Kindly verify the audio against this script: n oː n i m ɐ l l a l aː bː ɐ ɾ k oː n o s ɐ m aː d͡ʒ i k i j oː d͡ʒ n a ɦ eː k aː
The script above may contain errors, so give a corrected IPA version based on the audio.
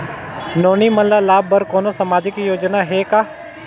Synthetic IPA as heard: n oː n i m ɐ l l a l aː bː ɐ ɾ k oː n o s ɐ m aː d͡ʒ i k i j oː d͡ʒ n a ɦ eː k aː